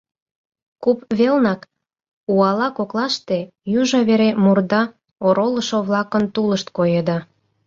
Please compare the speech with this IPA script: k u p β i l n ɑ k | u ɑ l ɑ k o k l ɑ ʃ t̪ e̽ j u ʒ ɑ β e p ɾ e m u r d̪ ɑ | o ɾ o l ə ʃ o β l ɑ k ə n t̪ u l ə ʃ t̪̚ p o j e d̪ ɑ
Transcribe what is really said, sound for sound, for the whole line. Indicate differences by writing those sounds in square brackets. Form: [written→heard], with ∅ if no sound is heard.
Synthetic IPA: k u p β [i→e] l n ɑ k | u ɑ l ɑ k o k l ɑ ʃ t̪ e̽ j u ʒ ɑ β e [p→∅] ɾ e m u r d̪ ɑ | o ɾ o l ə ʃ o β l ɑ k ə n t̪ u l ə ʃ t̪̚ [p→k] o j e d̪ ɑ